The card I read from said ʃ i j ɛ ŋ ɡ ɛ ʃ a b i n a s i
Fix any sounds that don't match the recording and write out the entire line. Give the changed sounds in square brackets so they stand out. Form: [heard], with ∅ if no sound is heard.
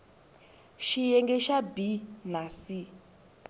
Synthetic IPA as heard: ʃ i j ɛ ŋ ɡ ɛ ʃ a b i n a s i